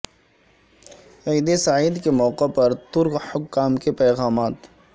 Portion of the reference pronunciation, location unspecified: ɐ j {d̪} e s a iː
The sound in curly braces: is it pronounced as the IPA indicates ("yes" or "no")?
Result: yes